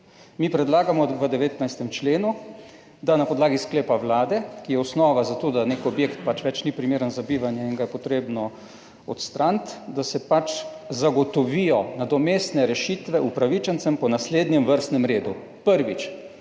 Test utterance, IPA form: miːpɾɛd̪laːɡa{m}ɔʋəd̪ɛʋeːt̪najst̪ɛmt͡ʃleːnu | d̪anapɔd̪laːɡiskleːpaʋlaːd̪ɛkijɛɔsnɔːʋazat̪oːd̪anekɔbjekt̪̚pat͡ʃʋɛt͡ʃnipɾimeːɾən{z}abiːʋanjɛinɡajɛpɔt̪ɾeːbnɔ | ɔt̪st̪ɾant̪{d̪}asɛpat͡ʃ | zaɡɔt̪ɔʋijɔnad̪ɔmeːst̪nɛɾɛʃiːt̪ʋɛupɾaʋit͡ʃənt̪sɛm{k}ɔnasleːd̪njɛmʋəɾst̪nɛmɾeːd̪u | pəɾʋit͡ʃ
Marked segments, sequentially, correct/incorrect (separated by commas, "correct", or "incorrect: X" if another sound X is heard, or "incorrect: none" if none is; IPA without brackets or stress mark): correct, correct, correct, incorrect: p